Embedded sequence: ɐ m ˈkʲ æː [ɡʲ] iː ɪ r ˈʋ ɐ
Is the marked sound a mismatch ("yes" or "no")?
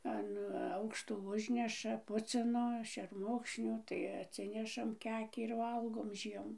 yes